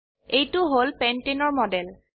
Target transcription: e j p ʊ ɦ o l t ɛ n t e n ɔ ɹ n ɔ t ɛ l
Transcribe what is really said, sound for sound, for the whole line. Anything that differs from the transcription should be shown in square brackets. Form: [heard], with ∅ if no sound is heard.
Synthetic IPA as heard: e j [t] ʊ ɦ o l [p] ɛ n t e n ɔ ɹ [m] ɔ [d] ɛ l